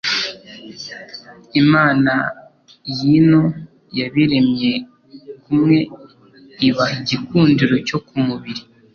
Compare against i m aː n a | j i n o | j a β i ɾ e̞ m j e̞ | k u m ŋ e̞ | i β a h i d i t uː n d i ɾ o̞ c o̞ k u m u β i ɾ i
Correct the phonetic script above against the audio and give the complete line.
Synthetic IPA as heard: i m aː n a | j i n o | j a β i ɾ e̞ m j e̞ | k u m ŋ e̞ | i β a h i ɟ i k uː n d i ɾ o̞ c o̞ k u m u β i ɾ i